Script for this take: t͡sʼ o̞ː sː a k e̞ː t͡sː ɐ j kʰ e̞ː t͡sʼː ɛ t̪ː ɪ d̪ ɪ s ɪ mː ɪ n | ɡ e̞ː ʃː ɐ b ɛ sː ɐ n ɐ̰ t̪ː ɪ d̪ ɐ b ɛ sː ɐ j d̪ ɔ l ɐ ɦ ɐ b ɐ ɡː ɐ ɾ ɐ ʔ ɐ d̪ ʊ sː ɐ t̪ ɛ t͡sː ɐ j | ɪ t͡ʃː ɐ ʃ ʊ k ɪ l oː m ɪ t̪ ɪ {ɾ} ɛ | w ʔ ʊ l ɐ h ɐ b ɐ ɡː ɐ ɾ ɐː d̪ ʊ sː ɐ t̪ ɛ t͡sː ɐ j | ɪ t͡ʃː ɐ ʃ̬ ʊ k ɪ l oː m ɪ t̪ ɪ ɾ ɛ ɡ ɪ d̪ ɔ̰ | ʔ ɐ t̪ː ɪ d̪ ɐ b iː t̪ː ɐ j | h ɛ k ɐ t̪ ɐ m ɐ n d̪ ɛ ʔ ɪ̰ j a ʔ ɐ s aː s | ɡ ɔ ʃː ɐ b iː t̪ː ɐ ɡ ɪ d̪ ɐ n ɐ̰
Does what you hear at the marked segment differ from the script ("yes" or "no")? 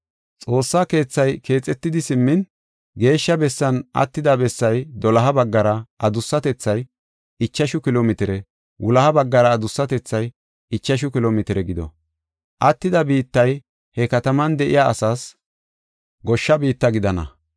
no